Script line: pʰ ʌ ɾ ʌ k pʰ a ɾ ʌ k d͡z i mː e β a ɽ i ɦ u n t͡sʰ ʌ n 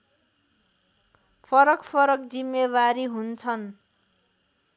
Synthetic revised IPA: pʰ ʌ ɾ ʌ k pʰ ʌ ɾ ʌ k d͡z i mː e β a ɾ i ɦ u n t͡sʰ ʌ n